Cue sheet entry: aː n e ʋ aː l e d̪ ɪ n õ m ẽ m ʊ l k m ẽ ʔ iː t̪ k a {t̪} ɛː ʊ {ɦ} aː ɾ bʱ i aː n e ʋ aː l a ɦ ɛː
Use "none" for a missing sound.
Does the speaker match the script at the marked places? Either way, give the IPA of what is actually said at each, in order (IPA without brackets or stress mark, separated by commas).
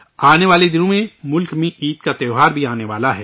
t̪, ɦ